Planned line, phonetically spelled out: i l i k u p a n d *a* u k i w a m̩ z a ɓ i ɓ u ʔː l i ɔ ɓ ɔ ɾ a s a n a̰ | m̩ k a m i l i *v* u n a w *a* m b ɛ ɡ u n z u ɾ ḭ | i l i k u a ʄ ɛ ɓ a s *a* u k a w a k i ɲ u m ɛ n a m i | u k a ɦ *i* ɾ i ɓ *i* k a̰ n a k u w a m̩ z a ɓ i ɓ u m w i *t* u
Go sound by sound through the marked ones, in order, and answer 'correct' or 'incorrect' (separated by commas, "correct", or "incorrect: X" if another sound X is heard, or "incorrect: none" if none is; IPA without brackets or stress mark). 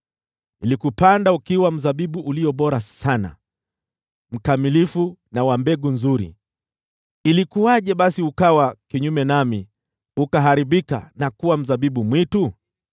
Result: correct, incorrect: f, correct, incorrect: i, incorrect: a, correct, correct